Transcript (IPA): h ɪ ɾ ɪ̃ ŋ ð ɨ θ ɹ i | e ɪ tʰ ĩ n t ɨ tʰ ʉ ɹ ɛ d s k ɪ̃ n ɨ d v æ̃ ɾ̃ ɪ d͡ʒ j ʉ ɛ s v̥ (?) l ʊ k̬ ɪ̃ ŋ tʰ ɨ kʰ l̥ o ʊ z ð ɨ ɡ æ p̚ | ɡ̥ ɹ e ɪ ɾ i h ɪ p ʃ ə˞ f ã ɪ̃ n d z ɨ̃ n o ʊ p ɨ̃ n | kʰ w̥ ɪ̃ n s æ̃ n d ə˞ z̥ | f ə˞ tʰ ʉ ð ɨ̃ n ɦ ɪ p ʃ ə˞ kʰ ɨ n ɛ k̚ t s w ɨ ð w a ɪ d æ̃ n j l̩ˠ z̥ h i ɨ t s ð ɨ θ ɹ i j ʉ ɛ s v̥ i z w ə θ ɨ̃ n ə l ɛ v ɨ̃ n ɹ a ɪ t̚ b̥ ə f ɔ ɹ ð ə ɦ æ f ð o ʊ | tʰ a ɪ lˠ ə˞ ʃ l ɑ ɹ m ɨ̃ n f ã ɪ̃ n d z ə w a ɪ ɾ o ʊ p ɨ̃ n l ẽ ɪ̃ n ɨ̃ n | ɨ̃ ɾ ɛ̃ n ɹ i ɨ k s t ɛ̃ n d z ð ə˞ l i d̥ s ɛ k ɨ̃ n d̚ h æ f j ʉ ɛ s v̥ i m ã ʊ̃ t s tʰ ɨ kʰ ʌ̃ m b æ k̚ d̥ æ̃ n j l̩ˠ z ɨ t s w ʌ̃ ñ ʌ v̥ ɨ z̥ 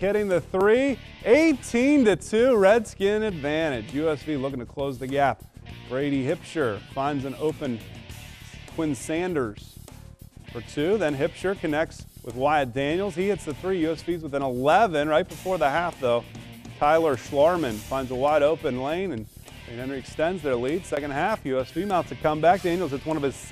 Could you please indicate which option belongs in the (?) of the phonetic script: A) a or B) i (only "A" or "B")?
B